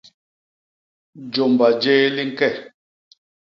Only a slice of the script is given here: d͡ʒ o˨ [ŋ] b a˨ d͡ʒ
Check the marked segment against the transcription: incorrect: m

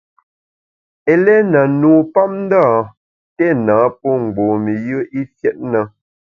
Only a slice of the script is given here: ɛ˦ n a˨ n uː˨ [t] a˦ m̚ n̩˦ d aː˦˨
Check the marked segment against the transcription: incorrect: p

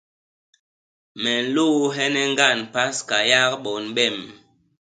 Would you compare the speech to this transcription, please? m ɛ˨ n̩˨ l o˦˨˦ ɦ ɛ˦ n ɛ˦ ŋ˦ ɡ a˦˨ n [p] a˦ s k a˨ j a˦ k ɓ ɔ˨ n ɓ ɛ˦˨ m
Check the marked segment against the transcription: correct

